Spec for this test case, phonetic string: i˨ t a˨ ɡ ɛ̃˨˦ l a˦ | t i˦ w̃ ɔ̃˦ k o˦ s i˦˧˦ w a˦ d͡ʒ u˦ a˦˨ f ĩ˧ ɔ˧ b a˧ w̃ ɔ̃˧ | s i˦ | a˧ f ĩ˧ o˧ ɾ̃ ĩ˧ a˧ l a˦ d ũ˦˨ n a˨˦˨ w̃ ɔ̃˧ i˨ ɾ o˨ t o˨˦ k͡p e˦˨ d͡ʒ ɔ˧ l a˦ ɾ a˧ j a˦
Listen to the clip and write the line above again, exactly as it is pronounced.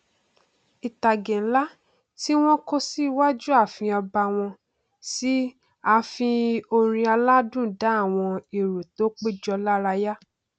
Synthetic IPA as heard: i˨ t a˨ ɡ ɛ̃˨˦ l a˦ | t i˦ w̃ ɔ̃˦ k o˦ s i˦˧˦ w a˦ d͡ʒ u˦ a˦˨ f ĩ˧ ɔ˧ b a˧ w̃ ɔ̃˧ | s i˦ | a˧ f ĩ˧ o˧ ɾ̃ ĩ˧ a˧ l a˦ d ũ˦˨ d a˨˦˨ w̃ ɔ̃˧ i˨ ɾ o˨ t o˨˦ k͡p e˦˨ d͡ʒ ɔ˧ l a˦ ɾ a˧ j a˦